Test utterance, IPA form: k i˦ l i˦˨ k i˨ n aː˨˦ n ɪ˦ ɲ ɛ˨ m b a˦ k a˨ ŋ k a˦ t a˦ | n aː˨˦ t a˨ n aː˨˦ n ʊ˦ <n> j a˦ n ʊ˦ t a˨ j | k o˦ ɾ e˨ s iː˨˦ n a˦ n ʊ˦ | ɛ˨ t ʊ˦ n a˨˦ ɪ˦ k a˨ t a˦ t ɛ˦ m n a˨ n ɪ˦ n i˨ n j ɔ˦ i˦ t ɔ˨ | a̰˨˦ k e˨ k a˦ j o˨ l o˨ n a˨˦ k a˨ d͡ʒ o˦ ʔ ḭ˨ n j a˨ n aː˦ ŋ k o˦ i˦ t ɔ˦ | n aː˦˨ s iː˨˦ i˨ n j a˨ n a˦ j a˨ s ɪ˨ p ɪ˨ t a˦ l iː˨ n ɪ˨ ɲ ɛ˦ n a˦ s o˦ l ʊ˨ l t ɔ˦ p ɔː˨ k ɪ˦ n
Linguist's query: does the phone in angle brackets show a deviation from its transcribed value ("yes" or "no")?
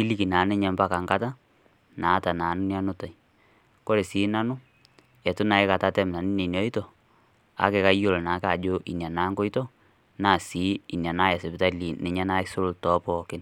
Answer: no